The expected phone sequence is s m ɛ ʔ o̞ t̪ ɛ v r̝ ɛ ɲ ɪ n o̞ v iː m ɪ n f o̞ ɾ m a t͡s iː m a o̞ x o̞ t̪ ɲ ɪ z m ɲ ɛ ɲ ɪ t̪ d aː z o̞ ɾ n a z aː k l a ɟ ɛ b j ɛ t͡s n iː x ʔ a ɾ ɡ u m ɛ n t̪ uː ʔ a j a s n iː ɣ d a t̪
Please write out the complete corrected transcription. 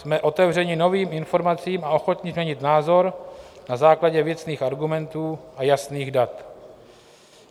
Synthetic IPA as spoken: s m ɛ ʔ o̞ t̪ ɛ v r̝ ɛ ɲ ɪ n o̞ v iː m ɪ n f o̞ ɾ m a t͡s iː m a o̞ x o̞ t̪ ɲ ɪ z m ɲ ɛ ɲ ɪ t̪ n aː z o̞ ɾ n a z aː k l a ɟ ɛ v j ɛ t͡s n iː x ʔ a ɾ ɡ u m ɛ n t̪ uː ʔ a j a s n iː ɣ d a t̪